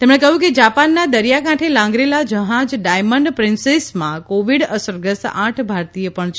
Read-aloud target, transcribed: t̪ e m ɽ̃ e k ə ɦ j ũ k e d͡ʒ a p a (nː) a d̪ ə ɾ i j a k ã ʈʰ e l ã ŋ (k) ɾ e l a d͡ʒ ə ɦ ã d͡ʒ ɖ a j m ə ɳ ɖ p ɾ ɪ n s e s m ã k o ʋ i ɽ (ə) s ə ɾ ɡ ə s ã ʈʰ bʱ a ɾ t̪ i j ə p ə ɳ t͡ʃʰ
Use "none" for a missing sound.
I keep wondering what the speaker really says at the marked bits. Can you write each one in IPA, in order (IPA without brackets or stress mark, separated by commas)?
nː, ɡ, ə